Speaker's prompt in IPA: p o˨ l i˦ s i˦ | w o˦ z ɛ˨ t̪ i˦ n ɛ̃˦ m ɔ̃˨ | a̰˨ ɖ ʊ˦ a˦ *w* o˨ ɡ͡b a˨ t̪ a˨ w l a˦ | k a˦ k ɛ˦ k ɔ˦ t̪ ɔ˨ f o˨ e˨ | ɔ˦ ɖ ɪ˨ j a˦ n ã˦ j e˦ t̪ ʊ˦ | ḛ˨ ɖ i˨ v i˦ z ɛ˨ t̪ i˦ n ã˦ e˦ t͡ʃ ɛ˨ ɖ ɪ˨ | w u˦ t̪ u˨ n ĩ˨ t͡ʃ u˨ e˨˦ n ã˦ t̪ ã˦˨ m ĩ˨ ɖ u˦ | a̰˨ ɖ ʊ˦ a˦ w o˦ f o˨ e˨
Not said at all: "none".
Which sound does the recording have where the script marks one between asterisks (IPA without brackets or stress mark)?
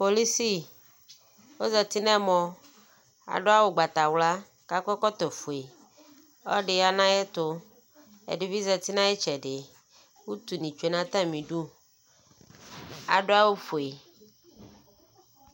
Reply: w